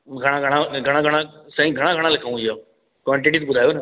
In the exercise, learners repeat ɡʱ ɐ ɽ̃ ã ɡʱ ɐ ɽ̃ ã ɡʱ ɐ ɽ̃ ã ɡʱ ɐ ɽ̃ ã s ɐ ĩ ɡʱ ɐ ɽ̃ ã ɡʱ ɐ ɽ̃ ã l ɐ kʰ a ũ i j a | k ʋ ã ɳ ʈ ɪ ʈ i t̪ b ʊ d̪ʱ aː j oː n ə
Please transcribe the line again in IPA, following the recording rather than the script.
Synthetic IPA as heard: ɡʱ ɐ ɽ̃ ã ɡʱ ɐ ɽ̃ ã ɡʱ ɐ ɽ̃ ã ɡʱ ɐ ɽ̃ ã s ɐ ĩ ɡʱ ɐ ɽ̃ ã ɡʱ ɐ ɽ̃ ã l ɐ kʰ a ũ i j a | k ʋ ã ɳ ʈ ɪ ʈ i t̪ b ʊ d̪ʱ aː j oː n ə

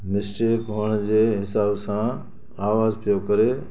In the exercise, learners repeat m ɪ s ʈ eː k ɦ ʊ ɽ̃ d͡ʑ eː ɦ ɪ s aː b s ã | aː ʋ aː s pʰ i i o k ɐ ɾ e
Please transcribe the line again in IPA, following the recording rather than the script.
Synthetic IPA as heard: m ɪ s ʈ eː k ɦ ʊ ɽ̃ d͡ʑ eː ɦ ɪ s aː b s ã | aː ʋ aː z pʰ i j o k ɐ ɾ e

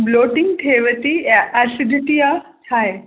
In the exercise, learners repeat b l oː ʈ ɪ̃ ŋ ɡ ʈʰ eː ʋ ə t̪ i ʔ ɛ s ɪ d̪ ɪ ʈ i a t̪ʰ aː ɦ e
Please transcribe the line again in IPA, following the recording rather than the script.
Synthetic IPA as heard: b l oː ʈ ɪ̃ ŋ ɡ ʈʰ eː ʋ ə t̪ i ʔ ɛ s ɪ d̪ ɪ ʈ i a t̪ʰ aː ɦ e

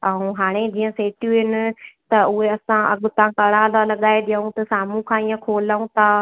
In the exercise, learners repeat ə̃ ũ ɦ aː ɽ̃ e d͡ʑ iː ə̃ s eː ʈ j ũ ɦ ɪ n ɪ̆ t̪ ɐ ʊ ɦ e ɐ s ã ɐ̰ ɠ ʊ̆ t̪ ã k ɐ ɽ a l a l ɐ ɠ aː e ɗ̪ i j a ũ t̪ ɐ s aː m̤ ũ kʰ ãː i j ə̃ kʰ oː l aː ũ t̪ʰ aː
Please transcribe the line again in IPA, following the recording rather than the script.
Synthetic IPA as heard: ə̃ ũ ɦ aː ɽ̃ e d͡ʑ iː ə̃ s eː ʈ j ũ ɦ ɪ n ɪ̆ t̪ ɐ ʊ ɦ e ɐ s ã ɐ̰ ɠ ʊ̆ t̪ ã k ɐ ɽ a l a l ɐ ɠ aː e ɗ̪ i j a ũ t̪ ɐ s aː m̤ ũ kʰ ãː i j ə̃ kʰ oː l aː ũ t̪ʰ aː

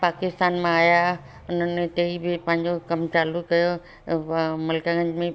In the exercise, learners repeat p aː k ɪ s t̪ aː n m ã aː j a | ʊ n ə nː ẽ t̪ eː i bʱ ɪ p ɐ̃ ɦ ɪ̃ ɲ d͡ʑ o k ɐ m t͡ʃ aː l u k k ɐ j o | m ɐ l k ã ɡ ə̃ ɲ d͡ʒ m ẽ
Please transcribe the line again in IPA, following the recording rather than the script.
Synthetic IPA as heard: p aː k ɪ s t̪ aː n m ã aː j a | ʊ n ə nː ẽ t̪ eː i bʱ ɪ p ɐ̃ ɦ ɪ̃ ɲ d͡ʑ o k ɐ m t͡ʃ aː l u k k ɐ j o | m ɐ l k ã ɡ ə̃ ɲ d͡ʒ m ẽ

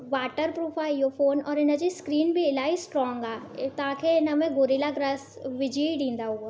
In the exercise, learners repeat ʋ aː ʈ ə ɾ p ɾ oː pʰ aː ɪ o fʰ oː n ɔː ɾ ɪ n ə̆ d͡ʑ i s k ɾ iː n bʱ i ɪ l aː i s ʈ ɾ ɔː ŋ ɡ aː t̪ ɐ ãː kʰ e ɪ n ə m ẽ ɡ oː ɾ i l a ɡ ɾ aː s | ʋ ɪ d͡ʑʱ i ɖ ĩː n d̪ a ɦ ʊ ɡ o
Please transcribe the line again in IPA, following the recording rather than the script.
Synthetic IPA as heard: ʋ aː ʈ ə ɾ p ɾ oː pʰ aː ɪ o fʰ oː n ɔː ɾ ɪ n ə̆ d͡ʑ i s k ɾ iː n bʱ i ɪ l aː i s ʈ ɾ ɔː ŋ ɡ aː t̪ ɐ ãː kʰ e ɪ n ə m ẽ ɡ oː ɾ i l a ɡ ɾ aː s | ʋ ɪ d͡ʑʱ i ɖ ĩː n d̪ a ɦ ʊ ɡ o

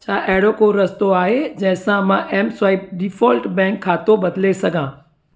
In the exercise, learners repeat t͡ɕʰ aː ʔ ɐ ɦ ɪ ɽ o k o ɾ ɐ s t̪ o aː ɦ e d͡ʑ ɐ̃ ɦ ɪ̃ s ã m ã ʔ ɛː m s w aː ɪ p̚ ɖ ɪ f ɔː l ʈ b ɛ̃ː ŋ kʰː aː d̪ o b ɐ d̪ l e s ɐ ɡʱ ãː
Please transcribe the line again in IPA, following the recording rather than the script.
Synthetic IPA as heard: t͡ɕʰ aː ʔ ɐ ɦ ɪ ɽ o k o ɾ ɐ s t̪ o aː ɦ e d͡ʑ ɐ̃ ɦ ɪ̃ s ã m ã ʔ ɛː m s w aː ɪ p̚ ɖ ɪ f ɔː l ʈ b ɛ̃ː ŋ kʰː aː t̪ o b ɐ d̪ l e s ɐ ɡʱ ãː

